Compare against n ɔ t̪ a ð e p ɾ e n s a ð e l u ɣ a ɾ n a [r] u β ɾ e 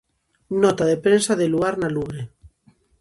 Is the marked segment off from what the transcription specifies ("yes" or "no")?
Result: yes